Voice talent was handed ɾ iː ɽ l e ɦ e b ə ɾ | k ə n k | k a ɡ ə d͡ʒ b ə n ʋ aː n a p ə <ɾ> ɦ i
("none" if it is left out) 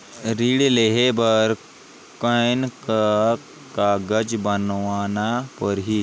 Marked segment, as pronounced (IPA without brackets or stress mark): ɾ